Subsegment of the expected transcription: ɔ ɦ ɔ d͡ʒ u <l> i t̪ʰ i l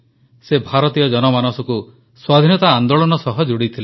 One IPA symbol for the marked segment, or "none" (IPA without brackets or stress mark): ɽ